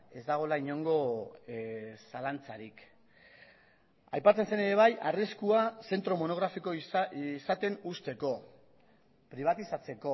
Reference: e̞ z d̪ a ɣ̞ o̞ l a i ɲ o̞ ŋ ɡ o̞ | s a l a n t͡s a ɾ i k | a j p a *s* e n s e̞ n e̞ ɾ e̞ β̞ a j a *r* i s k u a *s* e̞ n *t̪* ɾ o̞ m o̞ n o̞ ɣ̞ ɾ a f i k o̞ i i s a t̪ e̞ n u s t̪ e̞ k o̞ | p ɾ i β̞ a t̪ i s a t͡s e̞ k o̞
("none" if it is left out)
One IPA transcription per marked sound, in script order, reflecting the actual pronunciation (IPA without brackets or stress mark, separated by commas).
t͡s, r, s, t̪